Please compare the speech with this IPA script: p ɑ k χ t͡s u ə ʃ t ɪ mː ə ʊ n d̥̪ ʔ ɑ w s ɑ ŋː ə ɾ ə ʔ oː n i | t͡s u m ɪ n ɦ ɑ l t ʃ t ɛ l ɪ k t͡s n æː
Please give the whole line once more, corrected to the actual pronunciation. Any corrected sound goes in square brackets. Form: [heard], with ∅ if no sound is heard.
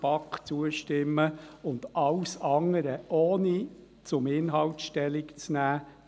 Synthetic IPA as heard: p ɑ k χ t͡s u ə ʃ t ɪ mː ə ʊ n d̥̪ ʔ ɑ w s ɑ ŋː ə ɾ ə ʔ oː n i | t͡s [ʊ] m ɪ n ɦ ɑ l t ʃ t ɛ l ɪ k t͡s n æː